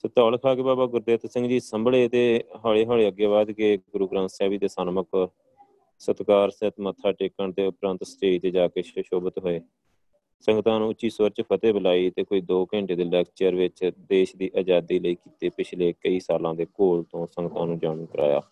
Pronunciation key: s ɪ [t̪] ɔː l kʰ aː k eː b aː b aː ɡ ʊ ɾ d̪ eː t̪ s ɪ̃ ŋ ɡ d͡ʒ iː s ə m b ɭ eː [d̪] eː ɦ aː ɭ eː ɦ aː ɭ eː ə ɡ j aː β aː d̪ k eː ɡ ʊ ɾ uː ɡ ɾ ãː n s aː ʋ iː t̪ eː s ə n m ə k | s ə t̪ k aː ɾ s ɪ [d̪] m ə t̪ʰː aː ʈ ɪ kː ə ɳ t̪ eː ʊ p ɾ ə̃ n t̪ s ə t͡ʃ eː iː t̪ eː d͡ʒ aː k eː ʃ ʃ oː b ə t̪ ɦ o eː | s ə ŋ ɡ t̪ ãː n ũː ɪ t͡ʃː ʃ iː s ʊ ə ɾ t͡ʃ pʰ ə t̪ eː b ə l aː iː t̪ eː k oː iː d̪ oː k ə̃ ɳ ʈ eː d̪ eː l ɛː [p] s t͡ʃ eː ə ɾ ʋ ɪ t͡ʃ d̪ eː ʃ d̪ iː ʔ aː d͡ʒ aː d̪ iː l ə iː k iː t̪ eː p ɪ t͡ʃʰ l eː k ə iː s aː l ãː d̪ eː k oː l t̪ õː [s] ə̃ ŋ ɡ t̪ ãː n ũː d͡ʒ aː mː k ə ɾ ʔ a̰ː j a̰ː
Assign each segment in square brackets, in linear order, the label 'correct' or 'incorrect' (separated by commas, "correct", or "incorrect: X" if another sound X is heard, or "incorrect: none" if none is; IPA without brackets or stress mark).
correct, incorrect: t̪, incorrect: t̪, incorrect: k, correct